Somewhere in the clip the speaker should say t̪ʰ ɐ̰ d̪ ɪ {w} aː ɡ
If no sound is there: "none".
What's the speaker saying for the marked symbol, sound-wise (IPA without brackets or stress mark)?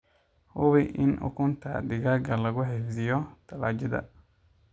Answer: ɣ